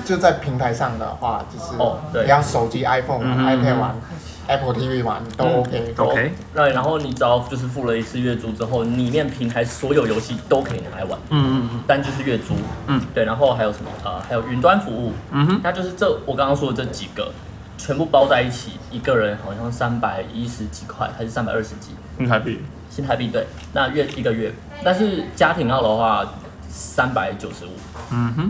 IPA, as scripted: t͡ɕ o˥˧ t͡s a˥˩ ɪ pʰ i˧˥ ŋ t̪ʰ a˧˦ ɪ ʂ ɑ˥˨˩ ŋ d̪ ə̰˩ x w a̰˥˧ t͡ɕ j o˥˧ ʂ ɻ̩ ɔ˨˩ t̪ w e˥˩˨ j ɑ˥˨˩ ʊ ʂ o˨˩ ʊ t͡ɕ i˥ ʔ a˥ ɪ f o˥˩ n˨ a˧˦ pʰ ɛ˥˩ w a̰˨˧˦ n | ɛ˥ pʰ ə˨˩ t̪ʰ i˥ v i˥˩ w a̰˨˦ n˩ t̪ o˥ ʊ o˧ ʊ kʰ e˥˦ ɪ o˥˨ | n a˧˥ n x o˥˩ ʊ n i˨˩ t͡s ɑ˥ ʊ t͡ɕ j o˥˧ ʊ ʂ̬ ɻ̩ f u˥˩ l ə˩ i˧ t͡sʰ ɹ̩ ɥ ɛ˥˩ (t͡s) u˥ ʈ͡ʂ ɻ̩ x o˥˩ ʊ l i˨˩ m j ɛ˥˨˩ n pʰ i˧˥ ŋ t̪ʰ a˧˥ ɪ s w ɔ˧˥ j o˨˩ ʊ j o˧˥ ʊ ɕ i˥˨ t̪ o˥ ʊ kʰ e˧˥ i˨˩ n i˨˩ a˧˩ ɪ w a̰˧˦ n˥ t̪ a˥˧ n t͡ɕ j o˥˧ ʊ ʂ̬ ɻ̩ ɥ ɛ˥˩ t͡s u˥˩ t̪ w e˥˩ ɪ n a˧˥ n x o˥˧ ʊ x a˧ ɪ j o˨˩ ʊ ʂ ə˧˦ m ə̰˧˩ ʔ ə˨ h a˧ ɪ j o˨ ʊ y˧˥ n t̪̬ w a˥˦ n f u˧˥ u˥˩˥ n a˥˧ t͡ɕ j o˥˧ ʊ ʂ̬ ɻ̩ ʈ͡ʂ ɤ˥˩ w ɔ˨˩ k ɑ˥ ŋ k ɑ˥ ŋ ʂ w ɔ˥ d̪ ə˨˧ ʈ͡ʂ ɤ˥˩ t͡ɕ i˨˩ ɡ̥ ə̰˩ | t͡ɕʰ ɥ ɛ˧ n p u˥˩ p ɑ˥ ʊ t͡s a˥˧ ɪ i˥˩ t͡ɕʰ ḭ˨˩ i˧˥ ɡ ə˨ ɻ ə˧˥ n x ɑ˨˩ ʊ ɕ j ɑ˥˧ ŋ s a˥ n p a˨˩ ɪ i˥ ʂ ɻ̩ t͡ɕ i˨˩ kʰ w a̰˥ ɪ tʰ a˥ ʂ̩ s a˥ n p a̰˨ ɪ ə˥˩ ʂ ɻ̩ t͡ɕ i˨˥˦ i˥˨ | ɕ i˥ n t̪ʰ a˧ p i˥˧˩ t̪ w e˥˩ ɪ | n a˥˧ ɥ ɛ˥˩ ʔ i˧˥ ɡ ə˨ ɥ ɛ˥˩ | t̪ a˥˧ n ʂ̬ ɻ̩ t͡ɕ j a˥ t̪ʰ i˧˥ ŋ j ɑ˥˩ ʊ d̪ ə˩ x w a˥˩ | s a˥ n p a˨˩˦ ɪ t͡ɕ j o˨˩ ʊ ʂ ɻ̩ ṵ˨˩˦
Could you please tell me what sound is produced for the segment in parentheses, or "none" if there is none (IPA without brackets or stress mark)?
t͡s